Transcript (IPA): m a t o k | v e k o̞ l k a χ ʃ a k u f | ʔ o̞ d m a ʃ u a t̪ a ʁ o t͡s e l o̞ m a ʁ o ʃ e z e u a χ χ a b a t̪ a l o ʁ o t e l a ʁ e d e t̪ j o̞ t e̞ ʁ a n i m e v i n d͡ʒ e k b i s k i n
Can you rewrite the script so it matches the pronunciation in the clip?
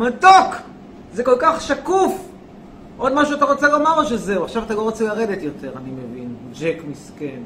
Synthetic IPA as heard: m a t o k | z e k o̞ l k a χ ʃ a k u f | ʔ o̞ d m a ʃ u a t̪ a ʁ o t͡s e l o̞ m a ʁ o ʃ e z e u a χ ʃ a v a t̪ a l o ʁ o t͡s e l a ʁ e d e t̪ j o̞ t e̞ ʁ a n i m e v i n d͡ʒ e k m i s k e n